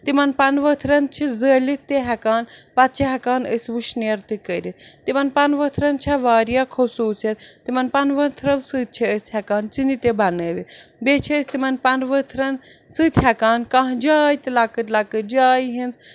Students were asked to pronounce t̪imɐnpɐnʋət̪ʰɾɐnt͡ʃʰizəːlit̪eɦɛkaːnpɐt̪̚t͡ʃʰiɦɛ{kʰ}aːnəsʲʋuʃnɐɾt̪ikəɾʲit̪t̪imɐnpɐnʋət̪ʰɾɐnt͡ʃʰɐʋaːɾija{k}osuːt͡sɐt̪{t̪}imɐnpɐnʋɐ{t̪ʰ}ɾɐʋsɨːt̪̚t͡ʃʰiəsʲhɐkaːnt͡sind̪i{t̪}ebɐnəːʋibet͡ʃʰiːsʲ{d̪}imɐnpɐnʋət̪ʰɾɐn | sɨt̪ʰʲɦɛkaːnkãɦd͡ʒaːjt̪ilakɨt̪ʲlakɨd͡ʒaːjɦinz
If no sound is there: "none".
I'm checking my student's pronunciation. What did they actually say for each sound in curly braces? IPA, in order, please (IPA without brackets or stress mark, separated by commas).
k, kʰ, t̪, t̪ʰ, t̪, t̪